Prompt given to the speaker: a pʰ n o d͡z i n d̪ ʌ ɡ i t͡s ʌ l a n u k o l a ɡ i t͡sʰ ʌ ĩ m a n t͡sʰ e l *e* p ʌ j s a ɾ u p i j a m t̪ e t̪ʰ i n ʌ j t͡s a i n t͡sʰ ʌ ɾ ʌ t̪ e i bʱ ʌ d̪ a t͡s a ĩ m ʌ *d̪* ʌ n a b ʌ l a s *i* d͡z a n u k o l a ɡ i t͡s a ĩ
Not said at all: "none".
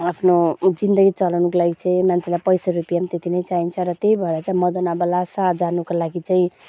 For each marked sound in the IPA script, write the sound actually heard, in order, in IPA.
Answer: a, d̪, a

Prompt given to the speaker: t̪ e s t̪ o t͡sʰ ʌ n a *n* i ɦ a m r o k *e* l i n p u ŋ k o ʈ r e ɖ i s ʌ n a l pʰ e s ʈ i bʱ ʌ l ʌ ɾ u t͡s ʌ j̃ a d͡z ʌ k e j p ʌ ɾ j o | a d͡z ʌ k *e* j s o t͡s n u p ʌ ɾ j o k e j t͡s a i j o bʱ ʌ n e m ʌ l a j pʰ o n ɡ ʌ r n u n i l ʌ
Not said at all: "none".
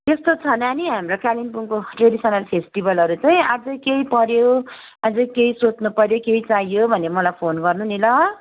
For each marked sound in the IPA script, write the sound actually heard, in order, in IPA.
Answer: n, a, e

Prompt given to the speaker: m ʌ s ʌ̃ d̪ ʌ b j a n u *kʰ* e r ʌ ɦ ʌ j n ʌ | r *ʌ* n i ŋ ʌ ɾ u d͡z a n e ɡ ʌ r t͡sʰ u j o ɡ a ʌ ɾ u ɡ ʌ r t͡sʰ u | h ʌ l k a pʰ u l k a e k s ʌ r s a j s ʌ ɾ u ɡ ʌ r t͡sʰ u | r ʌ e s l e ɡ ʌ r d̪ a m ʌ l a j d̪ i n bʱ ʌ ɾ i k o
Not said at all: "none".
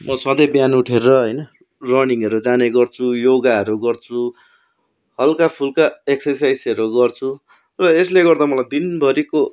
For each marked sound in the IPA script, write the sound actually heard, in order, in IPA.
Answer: ʈʰ, ʌ

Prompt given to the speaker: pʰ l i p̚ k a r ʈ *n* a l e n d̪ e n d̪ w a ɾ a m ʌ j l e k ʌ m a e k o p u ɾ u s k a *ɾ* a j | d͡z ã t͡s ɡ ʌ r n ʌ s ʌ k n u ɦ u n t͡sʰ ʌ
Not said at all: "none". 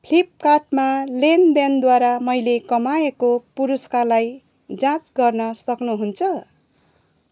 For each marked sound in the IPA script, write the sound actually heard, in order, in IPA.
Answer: m, l

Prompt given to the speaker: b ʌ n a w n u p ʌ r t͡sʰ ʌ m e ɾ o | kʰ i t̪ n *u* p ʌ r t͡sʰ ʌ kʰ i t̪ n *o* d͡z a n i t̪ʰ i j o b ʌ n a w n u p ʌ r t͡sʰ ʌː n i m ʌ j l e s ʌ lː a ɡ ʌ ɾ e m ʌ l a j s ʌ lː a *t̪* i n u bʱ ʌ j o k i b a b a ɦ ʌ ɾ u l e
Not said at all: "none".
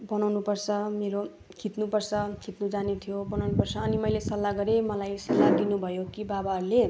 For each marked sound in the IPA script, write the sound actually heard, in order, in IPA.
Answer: u, u, d̪

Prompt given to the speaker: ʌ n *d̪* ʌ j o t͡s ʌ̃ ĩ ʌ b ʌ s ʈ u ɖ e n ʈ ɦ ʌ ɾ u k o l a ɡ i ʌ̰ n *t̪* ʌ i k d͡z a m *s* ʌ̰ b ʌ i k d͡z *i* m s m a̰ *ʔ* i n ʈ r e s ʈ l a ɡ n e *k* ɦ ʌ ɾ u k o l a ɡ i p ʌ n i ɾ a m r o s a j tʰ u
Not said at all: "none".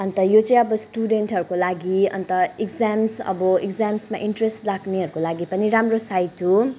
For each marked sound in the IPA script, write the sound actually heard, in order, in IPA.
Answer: t̪, t̪, s, a, ʔ, none

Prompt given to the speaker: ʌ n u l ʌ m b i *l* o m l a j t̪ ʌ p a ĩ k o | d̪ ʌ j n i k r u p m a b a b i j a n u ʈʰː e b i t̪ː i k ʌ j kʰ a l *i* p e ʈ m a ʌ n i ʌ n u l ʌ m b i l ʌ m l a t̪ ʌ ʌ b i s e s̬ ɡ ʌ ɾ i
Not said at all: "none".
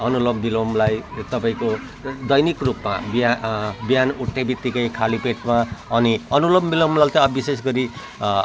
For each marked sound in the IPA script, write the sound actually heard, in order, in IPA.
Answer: l, i

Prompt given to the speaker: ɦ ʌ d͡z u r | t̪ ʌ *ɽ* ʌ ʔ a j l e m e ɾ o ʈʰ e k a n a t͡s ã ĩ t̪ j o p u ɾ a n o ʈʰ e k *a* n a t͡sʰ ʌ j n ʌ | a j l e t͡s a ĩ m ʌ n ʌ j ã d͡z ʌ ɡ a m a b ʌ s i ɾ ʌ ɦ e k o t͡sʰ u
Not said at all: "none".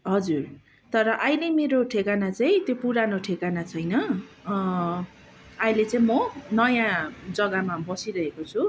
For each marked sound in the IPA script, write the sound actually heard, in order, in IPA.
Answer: ɾ, a

